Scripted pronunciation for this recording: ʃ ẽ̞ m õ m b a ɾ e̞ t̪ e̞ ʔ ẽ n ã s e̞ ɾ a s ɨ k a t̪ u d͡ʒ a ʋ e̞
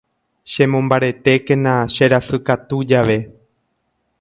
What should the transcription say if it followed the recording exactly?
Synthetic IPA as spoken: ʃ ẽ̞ m õ m b a ɾ e̞ t̪ e̞ k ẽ n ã ʃ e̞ ɾ a s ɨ k a t̪ u d͡ʒ a ʋ e̞